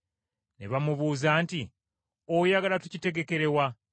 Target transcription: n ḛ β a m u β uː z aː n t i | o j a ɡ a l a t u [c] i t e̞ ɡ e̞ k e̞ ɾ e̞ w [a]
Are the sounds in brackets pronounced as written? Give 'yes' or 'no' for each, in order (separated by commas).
yes, yes